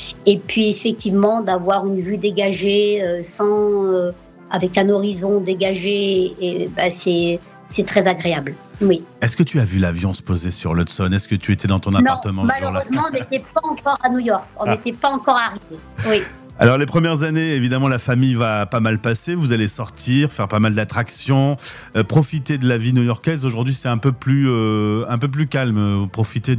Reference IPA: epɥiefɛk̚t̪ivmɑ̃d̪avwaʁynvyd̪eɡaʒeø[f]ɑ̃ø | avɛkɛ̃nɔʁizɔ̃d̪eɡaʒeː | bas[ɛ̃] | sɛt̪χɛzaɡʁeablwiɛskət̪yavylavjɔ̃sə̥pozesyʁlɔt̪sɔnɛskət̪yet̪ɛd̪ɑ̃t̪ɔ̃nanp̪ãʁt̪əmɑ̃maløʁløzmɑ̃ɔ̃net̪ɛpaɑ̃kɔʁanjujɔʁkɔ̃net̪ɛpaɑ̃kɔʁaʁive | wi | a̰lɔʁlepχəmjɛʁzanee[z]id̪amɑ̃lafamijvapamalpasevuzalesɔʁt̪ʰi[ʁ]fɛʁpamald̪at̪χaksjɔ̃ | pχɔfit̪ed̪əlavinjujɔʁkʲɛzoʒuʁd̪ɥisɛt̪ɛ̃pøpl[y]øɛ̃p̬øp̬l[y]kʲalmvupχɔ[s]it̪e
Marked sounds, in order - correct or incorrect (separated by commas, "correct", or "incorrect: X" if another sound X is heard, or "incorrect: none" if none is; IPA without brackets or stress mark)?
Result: incorrect: s, incorrect: ɛ, incorrect: v, correct, correct, correct, incorrect: f